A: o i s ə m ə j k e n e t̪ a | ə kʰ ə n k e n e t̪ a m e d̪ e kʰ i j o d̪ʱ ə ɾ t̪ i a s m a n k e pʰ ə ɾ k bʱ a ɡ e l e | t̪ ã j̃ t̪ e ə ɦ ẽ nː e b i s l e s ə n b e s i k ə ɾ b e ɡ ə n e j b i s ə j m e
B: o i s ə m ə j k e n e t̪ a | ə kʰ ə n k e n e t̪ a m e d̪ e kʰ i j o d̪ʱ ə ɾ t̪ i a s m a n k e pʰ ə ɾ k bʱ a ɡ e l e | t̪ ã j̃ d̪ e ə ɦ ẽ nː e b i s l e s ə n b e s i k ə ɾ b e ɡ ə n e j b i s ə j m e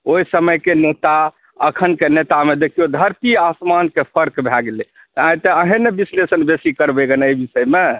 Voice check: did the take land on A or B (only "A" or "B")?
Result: A